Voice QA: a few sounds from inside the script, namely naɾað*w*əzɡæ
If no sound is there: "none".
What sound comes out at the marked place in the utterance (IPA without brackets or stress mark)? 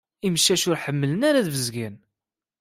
v